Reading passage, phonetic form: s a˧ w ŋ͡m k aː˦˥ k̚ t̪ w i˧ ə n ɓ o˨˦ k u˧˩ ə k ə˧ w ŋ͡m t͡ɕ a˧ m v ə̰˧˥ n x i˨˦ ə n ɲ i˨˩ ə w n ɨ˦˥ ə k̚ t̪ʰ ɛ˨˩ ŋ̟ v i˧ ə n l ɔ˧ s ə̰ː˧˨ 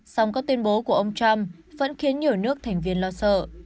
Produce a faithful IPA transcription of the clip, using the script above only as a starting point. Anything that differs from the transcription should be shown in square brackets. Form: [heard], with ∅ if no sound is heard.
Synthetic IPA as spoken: s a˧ w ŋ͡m k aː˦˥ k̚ t̪ w i˧ ə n ɓ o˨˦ k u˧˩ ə [ʔ] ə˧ w ŋ͡m t͡ɕ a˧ m v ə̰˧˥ n x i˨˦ ə n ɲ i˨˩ ə w n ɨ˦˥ ə k̚ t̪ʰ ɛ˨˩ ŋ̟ v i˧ ə n l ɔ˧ s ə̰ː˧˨